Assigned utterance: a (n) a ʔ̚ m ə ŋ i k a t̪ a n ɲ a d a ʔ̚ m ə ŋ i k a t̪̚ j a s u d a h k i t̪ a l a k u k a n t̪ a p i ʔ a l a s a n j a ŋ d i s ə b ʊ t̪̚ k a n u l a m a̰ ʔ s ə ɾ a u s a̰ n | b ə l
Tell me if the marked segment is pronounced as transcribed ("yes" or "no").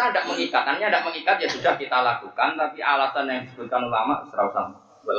no